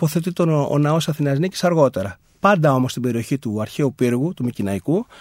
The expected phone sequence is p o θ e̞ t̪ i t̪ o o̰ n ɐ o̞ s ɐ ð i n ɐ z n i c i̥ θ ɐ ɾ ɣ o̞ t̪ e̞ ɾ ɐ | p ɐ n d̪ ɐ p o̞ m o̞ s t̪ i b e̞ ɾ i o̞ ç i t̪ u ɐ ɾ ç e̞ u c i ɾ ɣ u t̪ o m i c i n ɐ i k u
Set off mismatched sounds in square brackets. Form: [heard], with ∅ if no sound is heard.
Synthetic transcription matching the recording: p o θ e̞ t̪ i t̪ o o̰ n ɐ o̞ s ɐ [θ] i n ɐ z n i c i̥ [s] ɐ ɾ ɣ o̞ t̪ e̞ ɾ ɐ | p ɐ n d̪ ɐ [∅] o̞ m o̞ s t̪ i b e̞ ɾ i o̞ ç i t̪ u ɐ ɾ ç e̞ u [p] i ɾ ɣ u t̪ [u] m i c i n ɐ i k u